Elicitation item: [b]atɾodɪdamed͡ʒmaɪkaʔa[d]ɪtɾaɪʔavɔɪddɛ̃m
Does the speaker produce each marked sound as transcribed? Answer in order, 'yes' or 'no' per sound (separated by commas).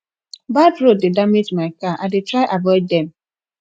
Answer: yes, yes